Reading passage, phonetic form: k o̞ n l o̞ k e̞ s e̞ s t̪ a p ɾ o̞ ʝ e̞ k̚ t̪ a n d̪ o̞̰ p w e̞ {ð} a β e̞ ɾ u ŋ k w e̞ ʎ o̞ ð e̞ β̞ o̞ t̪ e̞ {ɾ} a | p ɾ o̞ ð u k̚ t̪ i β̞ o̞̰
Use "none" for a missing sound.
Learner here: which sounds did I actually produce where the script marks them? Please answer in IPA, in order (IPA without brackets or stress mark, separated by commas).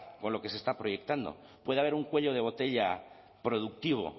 ð, ʎ